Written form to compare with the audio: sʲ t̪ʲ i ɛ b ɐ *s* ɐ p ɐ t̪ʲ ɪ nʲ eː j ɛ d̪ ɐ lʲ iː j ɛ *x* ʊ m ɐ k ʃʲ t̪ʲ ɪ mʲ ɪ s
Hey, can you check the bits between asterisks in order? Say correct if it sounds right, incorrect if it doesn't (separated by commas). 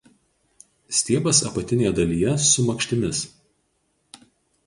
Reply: correct, incorrect